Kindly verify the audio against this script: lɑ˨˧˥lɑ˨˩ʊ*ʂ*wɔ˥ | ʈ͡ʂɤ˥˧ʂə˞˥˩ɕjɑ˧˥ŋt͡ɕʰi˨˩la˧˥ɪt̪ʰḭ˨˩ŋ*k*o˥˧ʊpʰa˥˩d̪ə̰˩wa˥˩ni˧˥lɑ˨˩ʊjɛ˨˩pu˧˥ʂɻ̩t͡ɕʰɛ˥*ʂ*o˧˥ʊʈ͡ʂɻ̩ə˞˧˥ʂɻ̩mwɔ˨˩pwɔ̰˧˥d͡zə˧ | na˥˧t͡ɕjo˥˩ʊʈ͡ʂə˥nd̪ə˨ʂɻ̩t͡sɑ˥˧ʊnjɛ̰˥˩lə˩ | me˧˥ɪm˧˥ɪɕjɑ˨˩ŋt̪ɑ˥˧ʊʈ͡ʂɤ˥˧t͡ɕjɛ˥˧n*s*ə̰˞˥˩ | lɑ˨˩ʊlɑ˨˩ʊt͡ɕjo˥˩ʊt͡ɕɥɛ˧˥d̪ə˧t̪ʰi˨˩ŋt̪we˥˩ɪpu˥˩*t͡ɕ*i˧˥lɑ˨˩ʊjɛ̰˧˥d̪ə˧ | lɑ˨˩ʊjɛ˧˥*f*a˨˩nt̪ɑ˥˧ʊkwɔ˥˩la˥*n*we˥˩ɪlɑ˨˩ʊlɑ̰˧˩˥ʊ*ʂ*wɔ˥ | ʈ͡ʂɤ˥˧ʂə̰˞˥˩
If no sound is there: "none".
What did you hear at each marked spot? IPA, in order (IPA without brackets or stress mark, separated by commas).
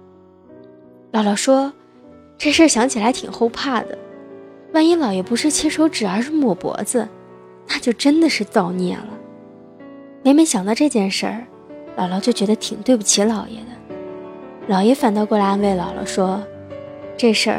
ʂ, x, ʂ, ʂ, t͡ɕʰ, f, n, ʂ